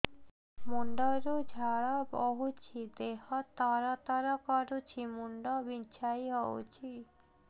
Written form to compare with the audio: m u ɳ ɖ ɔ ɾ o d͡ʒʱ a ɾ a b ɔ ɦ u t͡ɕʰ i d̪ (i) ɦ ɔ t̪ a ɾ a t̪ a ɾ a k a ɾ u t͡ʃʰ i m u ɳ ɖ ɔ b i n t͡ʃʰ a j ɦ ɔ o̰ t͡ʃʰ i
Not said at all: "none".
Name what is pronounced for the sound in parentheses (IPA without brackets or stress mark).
e